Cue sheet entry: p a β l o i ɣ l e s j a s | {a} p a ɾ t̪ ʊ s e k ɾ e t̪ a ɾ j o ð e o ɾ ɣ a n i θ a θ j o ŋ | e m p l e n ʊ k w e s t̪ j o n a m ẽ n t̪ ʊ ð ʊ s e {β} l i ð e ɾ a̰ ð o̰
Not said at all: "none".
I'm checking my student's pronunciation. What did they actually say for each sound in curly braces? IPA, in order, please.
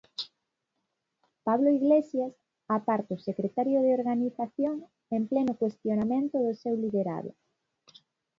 a, w

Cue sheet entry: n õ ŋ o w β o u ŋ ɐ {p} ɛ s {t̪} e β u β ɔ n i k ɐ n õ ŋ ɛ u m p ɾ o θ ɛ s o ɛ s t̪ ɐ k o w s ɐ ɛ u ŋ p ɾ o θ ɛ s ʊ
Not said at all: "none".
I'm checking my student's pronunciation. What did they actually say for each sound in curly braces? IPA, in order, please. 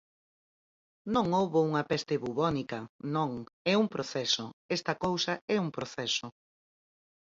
p, t̪

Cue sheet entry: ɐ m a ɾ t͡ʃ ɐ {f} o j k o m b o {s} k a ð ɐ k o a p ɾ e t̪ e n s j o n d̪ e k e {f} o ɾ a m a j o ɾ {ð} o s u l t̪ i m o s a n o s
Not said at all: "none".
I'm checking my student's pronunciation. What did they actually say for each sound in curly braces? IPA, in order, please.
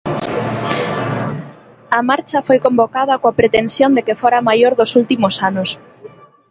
f, none, f, ð

